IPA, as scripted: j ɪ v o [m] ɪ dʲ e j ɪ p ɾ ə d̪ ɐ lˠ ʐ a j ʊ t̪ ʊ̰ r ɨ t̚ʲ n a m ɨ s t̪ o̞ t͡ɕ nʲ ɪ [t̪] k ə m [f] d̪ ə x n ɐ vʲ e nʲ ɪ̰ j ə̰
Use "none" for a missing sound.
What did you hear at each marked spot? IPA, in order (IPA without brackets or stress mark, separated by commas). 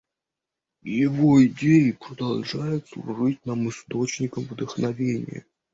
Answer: none, none, v